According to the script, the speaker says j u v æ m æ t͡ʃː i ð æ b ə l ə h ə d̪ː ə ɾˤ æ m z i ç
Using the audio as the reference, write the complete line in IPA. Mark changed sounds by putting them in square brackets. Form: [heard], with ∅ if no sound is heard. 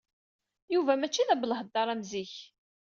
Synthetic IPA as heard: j u v æ m æ t͡ʃː i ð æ b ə l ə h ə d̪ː [ɑ] ɾˤ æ m z i ç